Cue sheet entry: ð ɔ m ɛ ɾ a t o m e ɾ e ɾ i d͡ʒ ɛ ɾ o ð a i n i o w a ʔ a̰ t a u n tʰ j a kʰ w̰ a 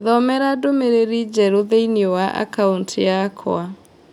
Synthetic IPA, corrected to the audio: ð ɔ m ɛ ɾ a d o m e ɾ e ɾ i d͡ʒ ɛ ɾ o ð e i n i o w a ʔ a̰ k a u n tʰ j a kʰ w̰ a